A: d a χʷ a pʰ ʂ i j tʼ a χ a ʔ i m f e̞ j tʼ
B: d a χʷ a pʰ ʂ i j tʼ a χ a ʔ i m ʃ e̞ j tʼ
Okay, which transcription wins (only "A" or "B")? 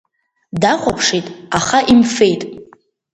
A